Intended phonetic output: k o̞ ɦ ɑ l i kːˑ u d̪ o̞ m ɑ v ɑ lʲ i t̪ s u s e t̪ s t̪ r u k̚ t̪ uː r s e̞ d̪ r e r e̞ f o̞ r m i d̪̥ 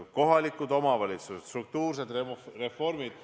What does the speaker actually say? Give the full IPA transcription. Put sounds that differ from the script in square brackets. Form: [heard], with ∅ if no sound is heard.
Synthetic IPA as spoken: k o̞ ɦ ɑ l i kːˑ u d̪ o̞ m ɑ v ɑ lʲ i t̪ s u s e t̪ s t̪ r u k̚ t̪ uː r s e̞ d̪ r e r e̞ f o̞ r m i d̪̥